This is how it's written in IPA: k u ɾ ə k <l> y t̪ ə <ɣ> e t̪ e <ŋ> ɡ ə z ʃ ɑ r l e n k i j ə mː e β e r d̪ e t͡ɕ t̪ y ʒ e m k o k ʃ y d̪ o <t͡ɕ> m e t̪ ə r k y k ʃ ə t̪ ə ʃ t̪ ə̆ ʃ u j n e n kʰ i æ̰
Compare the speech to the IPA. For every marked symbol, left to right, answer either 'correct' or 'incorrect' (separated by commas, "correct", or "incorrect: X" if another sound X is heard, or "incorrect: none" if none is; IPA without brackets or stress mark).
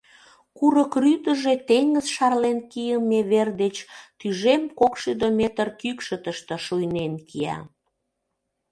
incorrect: r, incorrect: ʒ, correct, incorrect: none